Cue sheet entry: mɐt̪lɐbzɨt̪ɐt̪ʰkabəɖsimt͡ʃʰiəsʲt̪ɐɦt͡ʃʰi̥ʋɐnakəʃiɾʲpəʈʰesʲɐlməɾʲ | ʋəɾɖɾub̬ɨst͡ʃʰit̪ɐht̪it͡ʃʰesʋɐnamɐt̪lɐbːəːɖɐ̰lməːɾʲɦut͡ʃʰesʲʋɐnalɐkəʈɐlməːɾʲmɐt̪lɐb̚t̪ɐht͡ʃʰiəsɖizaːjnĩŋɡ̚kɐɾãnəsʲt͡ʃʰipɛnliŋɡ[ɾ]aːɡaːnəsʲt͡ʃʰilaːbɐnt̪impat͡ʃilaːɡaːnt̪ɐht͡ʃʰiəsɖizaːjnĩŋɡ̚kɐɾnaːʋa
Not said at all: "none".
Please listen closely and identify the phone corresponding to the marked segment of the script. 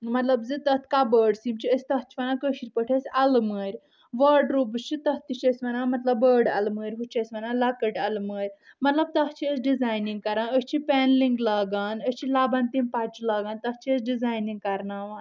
l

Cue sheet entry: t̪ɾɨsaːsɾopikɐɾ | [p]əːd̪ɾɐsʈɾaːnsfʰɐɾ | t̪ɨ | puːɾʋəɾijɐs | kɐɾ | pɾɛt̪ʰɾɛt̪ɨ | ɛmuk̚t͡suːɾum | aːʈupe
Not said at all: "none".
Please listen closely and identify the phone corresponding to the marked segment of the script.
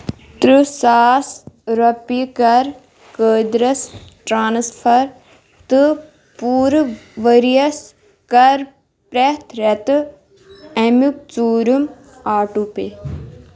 k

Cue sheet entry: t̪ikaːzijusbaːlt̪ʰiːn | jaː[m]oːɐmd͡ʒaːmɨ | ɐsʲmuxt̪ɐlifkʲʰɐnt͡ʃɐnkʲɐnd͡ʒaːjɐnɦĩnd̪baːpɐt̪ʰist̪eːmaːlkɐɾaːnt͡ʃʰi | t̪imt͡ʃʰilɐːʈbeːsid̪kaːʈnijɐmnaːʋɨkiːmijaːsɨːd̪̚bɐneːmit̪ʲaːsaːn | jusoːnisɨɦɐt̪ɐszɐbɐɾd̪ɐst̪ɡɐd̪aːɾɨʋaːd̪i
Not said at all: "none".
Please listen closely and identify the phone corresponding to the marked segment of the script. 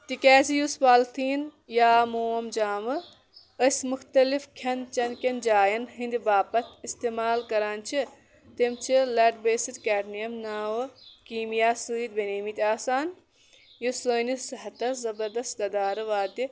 m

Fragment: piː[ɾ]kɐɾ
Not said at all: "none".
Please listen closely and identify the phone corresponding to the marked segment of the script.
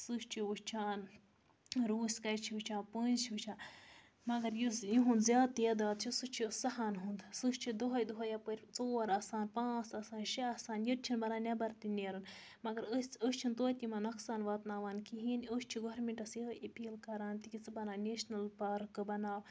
l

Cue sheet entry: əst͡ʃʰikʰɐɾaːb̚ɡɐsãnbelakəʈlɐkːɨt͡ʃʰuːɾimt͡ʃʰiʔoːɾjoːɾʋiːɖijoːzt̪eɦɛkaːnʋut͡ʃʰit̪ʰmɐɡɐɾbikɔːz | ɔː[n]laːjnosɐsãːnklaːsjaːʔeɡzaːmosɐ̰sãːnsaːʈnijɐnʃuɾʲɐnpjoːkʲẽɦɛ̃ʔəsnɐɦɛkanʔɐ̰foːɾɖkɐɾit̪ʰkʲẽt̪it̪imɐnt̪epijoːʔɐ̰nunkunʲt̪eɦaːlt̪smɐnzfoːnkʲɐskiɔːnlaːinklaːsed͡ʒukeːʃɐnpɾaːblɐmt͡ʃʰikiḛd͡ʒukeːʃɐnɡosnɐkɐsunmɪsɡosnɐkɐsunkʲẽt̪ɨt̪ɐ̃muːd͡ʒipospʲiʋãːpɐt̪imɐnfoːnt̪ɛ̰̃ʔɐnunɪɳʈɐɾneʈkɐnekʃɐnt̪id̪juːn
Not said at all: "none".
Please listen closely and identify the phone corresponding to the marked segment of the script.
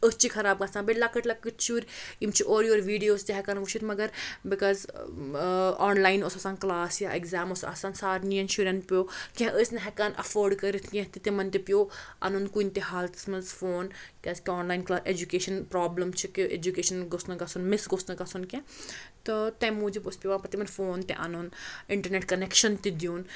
n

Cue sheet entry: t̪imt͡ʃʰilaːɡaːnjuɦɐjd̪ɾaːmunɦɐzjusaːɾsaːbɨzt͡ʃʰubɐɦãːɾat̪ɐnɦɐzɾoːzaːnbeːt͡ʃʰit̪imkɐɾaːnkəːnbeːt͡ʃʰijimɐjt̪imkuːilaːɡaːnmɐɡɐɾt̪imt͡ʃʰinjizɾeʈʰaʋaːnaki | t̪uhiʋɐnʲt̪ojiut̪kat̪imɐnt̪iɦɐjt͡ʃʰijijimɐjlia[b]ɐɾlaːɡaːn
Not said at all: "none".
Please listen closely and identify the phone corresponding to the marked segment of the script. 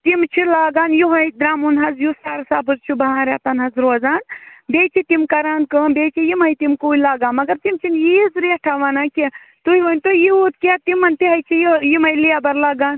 b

